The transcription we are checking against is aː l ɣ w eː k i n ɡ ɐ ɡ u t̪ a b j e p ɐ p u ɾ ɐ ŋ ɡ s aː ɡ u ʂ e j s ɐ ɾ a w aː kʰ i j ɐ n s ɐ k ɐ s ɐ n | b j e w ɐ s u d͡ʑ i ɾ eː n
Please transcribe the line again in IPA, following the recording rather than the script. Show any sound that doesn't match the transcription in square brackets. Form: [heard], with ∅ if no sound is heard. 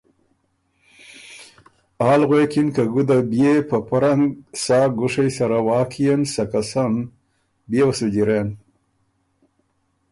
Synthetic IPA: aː l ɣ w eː k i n [k] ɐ ɡ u [d̪] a b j e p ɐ p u ɾ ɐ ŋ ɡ s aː ɡ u ʂ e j s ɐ ɾ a w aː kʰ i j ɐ n s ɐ k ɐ s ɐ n | b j e w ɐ s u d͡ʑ i ɾ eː n